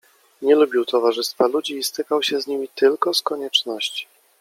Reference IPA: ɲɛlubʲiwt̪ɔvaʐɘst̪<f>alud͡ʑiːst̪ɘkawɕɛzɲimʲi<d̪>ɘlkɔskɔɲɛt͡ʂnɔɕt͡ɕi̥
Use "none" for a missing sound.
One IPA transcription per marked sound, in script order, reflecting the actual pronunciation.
f, t̪

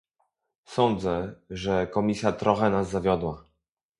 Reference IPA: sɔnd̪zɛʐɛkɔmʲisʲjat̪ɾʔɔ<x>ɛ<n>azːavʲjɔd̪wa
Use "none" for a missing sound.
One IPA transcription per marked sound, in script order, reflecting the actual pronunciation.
x, n

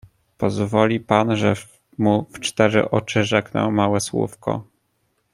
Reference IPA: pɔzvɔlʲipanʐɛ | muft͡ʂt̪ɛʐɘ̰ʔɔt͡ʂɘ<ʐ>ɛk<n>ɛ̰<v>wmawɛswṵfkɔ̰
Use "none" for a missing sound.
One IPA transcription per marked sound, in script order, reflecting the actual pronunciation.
ʐ, n, none

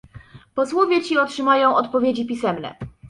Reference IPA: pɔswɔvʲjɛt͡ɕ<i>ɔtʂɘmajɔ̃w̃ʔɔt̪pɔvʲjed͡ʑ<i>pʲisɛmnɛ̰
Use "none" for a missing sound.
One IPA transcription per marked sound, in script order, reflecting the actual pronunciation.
i, i

